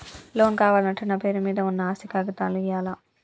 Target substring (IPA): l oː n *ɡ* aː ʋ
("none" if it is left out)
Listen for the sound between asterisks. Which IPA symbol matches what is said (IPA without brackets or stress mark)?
k